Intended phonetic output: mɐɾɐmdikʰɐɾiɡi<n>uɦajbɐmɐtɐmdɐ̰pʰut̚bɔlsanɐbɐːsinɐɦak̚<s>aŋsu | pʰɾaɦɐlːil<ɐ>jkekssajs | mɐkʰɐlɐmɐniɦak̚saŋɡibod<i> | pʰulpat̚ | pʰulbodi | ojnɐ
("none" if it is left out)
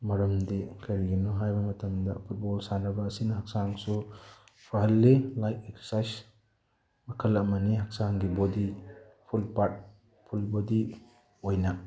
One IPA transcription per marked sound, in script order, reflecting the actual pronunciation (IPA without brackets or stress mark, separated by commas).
n, s, a, i